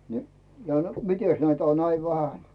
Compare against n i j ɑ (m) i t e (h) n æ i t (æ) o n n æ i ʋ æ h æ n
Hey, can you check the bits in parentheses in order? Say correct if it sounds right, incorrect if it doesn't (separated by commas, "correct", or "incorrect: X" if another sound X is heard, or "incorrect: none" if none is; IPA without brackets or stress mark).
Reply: correct, incorrect: s, correct